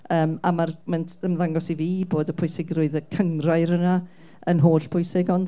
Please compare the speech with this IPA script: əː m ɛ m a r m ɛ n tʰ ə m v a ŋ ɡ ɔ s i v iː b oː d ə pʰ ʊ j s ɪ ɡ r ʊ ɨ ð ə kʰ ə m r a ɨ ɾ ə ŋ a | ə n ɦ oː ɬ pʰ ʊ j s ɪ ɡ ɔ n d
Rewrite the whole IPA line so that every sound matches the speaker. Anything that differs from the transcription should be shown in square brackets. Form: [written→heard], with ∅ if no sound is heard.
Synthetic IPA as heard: əː m [ɛ→a] m a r m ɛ n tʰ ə m [v→ð] a ŋ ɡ ɔ s i v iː b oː d ə pʰ ʊ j s ɪ ɡ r ʊ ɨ ð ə kʰ ə [m→ŋ] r a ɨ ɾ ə [ŋ→n] a | ə n ɦ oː ɬ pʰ ʊ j s ɪ ɡ ɔ n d